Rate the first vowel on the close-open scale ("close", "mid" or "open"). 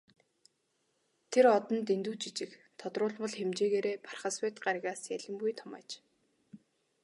mid